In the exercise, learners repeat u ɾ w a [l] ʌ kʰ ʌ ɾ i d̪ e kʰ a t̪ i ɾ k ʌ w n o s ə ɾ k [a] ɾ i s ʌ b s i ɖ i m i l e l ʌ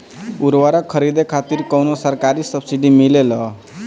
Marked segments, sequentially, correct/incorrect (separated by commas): incorrect, correct